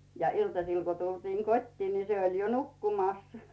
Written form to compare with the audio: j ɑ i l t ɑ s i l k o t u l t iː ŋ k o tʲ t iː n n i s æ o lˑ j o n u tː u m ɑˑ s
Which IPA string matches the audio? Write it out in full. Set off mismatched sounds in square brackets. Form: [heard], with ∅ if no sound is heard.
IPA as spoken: j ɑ i l t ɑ s i l k o t u l t iː ŋ k o tʲ t iː n n i s [e] o lˑ j o n u [kː] u m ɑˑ s